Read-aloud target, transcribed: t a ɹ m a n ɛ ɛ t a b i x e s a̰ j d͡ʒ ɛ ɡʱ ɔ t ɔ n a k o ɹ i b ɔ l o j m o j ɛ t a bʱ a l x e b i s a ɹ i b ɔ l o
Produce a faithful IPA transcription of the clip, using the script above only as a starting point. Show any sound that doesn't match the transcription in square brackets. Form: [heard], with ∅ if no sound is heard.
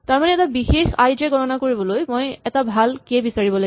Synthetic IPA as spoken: t a ɹ m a n ɛ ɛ t a b i x e [x] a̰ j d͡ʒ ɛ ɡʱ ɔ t ɔ n a k o ɹ i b ɔ l o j m o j ɛ t a bʱ a l [k] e b i s a ɹ i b ɔ l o